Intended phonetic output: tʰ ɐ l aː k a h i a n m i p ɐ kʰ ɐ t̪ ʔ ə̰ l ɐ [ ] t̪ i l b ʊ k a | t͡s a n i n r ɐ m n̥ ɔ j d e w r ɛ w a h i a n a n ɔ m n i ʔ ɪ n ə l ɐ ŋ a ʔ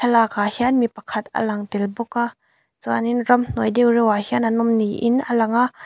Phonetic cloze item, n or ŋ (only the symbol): ŋ